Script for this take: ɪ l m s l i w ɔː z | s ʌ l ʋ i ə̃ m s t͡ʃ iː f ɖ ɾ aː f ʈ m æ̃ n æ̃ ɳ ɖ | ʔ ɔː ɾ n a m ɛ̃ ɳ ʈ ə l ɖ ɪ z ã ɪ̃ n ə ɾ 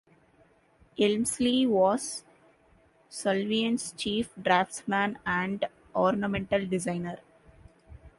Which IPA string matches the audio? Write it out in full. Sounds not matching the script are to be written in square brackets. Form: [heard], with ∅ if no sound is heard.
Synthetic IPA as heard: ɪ l m s l i [ʋ] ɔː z | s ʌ l ʋ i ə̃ [n] s t͡ʃ iː f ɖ ɾ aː f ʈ m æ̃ n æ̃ ɳ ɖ | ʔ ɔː ɾ n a m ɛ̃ ɳ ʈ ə l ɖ ɪ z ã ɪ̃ n ə ɾ